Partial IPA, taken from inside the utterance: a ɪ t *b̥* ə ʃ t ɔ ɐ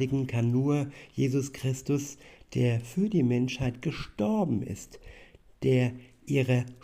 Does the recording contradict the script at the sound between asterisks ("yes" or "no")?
yes